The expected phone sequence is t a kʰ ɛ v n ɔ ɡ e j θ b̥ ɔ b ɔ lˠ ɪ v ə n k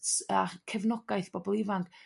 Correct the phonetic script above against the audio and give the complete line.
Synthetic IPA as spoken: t a kʰ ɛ v n ɔ ɡ a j θ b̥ ɔ b ɔ lˠ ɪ v a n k